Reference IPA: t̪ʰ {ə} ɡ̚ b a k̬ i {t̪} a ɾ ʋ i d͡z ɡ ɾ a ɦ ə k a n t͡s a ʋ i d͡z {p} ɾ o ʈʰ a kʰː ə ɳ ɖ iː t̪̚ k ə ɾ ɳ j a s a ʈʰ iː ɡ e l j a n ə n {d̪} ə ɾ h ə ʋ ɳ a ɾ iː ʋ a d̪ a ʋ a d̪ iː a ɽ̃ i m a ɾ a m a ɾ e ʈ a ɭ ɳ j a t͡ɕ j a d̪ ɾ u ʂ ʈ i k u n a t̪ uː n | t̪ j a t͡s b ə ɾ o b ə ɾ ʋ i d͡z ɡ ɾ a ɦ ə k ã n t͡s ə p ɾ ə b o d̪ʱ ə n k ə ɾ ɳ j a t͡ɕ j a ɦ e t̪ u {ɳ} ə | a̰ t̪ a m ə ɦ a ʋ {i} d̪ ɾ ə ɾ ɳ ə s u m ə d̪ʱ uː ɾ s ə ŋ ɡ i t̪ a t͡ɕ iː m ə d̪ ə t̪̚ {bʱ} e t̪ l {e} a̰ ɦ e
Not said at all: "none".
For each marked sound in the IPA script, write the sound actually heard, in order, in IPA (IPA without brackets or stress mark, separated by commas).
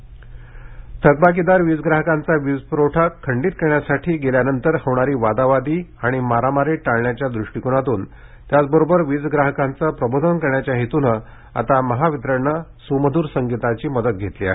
ə, d̪, p, t̪, n, i, ɡʱ, i